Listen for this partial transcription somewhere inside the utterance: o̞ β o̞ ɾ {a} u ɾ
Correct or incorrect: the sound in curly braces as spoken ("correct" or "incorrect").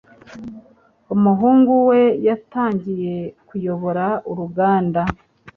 correct